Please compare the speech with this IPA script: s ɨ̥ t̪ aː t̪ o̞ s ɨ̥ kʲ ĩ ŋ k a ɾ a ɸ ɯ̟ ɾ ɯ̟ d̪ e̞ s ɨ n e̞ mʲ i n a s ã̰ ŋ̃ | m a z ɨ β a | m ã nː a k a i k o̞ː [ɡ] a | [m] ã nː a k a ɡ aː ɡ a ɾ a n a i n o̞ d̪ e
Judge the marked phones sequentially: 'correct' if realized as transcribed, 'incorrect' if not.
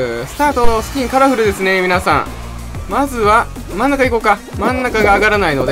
incorrect, correct

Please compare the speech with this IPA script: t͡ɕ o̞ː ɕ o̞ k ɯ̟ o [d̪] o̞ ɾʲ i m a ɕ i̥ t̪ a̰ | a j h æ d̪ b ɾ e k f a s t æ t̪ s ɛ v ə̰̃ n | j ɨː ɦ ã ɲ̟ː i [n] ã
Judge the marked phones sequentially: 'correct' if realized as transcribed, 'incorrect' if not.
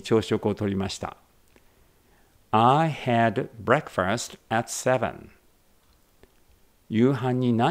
incorrect, correct

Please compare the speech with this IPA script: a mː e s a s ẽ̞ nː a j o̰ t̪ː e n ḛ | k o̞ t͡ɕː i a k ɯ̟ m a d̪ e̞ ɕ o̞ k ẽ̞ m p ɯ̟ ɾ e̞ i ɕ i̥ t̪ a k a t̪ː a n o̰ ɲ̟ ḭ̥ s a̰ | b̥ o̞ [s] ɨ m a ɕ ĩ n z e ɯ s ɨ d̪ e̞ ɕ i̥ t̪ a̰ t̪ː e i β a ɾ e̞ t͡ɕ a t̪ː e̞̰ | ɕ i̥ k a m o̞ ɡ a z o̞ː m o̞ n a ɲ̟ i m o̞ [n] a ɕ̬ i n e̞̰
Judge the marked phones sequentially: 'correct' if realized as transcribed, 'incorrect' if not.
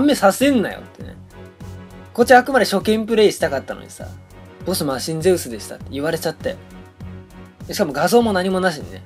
correct, correct

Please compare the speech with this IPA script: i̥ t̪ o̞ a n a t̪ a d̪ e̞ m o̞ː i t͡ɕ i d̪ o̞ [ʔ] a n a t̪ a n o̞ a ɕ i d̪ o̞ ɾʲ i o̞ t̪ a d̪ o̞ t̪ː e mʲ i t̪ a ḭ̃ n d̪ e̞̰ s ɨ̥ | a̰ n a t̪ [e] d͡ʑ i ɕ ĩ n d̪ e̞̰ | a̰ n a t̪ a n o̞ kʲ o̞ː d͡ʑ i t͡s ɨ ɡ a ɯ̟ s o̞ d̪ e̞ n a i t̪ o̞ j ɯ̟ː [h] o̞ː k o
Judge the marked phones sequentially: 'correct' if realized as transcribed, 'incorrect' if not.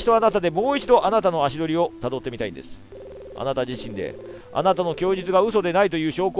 correct, incorrect, incorrect

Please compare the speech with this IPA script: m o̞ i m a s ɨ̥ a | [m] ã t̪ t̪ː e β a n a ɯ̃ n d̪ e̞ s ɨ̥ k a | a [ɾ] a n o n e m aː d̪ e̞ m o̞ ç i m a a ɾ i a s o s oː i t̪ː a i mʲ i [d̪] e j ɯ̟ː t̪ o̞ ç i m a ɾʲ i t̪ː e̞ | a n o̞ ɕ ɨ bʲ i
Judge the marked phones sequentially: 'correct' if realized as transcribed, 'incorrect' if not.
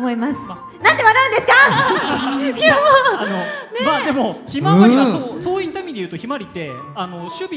incorrect, incorrect, correct

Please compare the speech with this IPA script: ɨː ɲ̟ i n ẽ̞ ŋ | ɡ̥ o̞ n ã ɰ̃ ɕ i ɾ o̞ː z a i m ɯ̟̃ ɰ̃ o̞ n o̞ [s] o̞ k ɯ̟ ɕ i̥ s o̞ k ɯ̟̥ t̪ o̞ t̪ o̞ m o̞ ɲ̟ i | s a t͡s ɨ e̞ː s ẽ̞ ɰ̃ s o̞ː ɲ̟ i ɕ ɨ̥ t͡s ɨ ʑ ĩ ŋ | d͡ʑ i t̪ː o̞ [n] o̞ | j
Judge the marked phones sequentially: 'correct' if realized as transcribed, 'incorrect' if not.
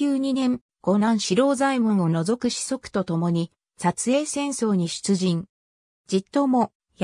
incorrect, incorrect

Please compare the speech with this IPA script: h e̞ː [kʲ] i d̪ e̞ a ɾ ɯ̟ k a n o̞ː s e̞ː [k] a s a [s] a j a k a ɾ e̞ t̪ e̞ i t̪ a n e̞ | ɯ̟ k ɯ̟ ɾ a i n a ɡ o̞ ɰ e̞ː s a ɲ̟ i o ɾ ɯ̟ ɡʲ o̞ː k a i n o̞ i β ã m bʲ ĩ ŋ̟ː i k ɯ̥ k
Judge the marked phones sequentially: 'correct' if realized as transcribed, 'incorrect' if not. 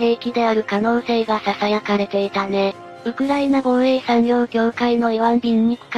correct, incorrect, correct

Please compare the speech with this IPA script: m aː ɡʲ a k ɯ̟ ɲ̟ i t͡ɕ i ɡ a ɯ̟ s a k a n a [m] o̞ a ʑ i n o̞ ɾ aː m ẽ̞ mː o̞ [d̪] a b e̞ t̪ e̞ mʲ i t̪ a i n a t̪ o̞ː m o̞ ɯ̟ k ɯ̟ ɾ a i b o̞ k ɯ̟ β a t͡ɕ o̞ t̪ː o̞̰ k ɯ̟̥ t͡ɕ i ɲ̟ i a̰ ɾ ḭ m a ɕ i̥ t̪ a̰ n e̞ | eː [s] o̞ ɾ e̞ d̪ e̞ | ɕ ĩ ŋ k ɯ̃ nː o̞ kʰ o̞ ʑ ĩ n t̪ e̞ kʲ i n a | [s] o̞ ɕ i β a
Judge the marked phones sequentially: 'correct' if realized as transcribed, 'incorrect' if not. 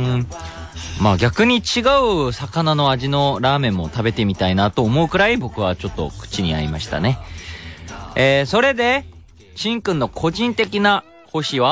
incorrect, incorrect, correct, incorrect

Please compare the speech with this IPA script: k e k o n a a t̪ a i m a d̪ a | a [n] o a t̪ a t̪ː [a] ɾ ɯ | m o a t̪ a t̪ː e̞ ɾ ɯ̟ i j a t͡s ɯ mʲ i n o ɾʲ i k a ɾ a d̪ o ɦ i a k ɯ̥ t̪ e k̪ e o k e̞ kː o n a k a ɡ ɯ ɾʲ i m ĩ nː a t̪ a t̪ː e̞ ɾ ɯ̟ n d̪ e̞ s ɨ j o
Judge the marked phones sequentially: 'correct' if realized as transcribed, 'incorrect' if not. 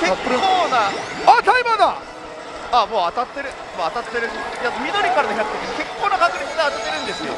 incorrect, incorrect

